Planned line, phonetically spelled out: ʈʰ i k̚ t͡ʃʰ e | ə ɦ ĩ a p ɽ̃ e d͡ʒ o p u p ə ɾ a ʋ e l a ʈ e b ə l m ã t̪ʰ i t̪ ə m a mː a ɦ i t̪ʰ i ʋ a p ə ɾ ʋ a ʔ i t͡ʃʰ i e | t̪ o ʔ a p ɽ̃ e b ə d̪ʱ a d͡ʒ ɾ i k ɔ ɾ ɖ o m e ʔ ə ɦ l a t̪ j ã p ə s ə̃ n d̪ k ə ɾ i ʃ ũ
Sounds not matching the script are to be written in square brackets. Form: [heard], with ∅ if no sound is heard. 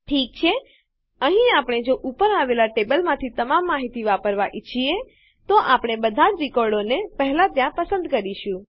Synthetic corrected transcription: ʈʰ i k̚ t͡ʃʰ e | ə ɦ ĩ a p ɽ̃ e d͡ʒ o [ʔ] u p ə ɾ a ʋ e l a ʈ e b ə l m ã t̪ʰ i t̪ ə m a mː a ɦ i [t̪] i ʋ a p ə ɾ ʋ a ʔ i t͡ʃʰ i e | t̪ o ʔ a p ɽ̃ e b ə d̪ʱ a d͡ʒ ɾ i k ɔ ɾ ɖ o [n] e [p] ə ɦ l a t̪ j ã p ə s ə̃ n d̪ k ə ɾ i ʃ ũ